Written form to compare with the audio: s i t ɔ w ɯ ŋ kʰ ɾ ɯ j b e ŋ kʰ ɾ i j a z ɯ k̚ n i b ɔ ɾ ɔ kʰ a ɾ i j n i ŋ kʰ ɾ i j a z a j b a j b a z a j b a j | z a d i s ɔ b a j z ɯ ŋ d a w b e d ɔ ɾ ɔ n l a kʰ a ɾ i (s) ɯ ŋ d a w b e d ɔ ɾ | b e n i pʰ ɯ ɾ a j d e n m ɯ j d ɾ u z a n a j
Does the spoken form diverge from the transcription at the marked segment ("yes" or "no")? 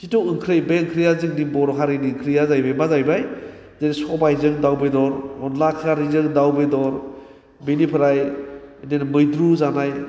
yes